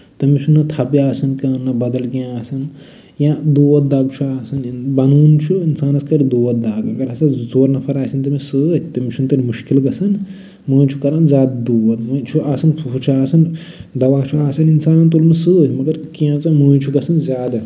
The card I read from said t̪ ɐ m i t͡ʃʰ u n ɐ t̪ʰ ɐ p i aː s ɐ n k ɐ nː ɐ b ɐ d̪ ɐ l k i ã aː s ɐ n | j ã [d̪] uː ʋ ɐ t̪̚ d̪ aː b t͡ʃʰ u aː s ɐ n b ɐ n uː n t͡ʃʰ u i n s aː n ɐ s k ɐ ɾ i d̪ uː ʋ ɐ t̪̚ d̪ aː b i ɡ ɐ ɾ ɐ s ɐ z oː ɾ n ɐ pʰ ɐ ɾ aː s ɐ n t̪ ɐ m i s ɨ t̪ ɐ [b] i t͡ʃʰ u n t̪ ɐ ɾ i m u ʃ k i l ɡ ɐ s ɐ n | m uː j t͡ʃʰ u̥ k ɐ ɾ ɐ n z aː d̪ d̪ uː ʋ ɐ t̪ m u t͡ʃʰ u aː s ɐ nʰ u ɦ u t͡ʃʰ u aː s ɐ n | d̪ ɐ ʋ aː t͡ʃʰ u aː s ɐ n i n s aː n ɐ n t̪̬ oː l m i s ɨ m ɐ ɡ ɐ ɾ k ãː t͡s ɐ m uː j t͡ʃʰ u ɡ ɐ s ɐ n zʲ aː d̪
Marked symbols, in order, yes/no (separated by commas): yes, no